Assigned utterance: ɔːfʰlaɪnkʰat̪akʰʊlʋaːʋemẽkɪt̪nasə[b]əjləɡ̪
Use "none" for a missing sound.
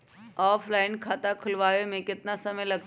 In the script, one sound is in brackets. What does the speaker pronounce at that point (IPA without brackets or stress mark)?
m